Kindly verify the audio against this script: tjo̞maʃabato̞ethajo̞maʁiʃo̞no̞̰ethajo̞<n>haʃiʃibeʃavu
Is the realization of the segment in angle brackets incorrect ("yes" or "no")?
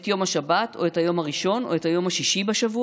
yes